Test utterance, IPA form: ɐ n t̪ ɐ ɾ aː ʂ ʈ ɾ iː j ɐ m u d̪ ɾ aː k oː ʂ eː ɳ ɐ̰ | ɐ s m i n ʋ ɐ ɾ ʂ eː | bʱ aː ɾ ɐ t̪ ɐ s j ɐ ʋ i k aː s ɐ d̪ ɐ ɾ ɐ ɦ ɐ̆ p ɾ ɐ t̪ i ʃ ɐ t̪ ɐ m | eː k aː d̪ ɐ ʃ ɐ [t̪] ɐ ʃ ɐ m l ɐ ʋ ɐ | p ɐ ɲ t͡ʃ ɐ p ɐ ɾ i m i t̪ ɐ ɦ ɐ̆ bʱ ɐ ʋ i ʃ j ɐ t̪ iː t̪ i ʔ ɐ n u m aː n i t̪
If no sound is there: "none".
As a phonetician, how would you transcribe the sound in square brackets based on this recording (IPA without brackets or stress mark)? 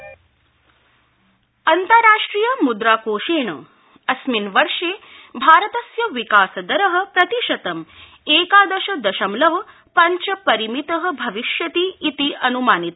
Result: d̪